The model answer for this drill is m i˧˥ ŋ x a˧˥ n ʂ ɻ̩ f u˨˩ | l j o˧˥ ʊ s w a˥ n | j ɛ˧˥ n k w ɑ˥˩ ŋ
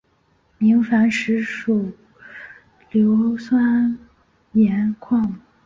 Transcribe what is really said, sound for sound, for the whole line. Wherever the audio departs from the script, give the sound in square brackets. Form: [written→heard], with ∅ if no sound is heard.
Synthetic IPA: m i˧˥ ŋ [x→f] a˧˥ n ʂ ɻ̩ [f→ʂ] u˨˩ | l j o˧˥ ʊ s w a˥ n | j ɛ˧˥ n [k→kʰ] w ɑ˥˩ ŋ